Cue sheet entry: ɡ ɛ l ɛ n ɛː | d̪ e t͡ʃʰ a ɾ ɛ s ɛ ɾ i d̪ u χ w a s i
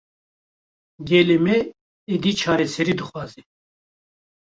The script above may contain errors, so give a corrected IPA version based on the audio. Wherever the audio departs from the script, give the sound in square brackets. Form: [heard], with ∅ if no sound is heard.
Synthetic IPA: ɡ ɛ l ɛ [m] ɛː | d̪ [i] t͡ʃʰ a ɾ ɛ s ɛ ɾ i d̪ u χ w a [z] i